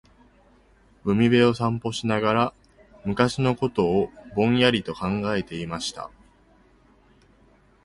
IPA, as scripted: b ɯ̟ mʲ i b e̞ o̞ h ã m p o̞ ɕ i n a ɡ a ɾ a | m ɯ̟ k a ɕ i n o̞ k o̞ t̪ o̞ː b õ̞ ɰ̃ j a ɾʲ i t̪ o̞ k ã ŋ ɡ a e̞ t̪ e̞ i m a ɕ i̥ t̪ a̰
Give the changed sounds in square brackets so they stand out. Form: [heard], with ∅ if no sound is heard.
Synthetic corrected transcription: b ɯ̟ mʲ i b e̞ o̞ [s] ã m p o̞ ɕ i n a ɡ a ɾ a | m ɯ̟ k a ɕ i n o̞ k o̞ t̪ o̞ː b õ̞ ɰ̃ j a ɾʲ i t̪ o̞ k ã ŋ ɡ a e̞ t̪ e̞ i m a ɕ i̥ t̪ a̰